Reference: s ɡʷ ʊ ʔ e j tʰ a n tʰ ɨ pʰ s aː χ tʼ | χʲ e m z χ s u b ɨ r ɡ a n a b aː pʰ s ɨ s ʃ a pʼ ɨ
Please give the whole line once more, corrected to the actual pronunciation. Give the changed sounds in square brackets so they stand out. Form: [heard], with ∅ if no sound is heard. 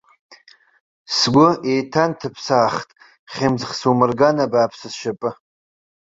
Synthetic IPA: s ɡʷ ʊ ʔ e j tʰ a n tʰ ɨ pʰ s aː χ tʼ | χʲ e m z χ s u [m] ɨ r ɡ a n a b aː pʰ s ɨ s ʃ a pʼ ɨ